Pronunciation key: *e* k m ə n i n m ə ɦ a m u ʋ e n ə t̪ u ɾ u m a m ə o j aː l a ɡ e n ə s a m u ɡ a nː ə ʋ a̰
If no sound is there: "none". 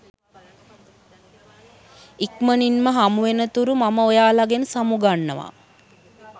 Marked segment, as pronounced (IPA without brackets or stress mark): i